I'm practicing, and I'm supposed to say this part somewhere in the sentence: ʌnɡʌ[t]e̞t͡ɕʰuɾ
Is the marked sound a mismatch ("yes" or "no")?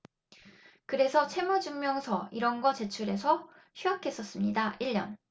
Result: yes